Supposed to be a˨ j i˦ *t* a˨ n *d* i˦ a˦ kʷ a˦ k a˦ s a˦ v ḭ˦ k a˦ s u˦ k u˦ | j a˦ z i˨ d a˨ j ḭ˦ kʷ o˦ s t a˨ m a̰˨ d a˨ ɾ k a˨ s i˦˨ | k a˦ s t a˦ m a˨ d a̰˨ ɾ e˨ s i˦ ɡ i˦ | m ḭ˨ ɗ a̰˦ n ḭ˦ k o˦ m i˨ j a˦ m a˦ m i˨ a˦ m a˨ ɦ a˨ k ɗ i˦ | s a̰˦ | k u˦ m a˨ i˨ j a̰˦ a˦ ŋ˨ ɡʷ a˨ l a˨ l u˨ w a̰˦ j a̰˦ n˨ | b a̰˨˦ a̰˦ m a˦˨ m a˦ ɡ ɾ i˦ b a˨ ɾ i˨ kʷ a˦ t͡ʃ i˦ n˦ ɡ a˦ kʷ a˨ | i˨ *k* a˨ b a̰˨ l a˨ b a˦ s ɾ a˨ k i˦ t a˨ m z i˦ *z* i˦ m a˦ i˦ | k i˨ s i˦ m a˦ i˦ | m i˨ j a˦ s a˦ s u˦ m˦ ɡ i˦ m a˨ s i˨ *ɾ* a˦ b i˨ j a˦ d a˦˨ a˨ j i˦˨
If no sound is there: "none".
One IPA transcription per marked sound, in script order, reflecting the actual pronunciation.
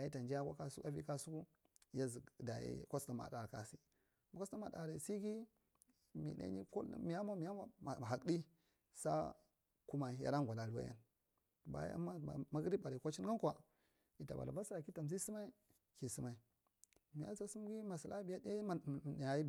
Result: t, d͡ʒ, t, s, l

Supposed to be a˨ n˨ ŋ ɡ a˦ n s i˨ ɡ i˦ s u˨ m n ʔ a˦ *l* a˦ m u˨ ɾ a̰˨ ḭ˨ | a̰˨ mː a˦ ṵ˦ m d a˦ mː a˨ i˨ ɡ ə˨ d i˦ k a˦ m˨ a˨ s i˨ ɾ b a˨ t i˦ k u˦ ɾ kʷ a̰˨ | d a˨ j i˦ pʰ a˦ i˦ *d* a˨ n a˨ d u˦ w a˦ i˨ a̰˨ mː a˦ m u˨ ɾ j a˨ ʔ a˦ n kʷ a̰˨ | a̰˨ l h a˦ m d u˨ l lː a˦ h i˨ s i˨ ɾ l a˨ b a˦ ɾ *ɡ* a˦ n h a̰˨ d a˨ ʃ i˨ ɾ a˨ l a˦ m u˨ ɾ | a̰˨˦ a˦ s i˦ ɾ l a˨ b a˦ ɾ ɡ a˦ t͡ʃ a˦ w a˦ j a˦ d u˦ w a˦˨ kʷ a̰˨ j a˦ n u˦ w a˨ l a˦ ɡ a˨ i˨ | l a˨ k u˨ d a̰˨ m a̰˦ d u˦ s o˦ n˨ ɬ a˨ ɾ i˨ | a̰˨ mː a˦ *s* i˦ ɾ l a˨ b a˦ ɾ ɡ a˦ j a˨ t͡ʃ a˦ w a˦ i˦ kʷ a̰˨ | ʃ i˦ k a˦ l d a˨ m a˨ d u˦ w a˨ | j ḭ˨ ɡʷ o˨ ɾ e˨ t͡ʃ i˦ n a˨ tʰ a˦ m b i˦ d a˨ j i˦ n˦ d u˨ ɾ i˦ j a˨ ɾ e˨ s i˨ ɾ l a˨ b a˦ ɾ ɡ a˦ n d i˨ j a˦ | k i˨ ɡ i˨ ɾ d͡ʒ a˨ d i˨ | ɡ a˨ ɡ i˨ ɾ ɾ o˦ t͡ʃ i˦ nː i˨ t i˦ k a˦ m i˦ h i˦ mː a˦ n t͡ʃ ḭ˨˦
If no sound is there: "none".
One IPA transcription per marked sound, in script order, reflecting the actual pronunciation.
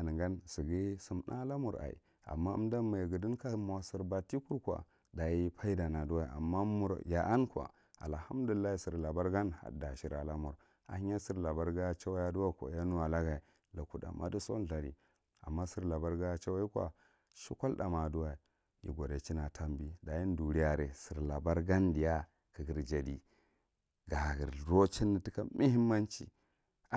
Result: l, d, ɡ, s

